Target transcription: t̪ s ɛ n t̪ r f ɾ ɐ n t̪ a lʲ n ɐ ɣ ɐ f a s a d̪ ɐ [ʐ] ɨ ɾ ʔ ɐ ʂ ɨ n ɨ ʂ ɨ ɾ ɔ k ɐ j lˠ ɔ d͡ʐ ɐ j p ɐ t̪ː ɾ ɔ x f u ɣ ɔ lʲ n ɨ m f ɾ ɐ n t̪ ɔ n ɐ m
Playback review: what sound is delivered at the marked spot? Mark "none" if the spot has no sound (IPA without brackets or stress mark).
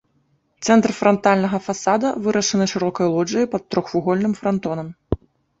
v